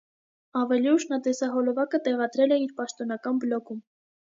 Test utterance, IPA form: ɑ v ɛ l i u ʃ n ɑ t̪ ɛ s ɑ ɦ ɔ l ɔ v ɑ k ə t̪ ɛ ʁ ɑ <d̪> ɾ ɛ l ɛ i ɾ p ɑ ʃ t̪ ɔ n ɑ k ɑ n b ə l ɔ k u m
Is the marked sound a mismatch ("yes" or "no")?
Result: no